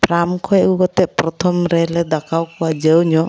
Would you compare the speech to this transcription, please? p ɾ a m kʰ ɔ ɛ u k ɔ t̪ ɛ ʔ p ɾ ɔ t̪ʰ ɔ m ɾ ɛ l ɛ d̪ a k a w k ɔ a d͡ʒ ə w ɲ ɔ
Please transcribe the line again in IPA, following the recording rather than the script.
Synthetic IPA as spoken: p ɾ a m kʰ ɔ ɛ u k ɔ t̪ ɛ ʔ p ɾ ɔ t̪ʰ ɔ m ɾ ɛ l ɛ d̪ a k a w k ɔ a d͡ʒ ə w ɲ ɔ